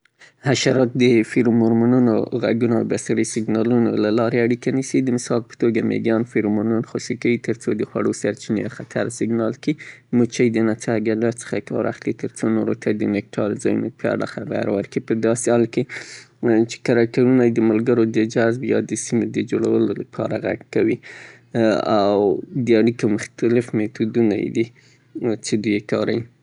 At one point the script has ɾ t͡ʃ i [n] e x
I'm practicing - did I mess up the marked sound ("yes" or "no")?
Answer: no